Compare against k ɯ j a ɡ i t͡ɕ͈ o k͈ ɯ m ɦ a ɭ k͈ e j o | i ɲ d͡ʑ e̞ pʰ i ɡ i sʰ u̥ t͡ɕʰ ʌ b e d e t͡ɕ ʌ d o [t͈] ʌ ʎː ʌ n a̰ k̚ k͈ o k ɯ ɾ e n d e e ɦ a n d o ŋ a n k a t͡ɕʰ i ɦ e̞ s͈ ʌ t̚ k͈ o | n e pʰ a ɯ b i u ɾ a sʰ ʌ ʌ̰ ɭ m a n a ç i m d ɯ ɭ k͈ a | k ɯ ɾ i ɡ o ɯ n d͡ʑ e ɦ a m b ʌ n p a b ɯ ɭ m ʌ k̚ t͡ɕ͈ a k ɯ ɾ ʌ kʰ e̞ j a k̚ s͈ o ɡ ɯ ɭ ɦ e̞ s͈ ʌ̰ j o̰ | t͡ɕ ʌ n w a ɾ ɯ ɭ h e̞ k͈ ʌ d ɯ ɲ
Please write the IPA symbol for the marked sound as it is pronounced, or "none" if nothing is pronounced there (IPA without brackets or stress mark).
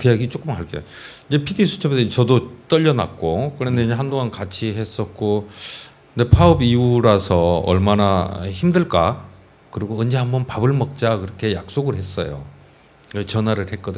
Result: t͈